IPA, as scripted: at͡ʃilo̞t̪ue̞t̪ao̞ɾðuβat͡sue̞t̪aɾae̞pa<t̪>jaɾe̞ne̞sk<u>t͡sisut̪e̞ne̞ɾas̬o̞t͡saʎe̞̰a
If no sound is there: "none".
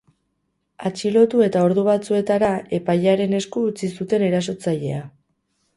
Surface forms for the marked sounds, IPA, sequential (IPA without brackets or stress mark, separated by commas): none, uː